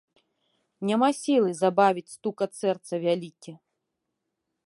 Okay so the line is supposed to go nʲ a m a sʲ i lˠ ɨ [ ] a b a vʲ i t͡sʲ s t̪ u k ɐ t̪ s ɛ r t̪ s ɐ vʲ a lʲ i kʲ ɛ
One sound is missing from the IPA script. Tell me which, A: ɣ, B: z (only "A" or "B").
B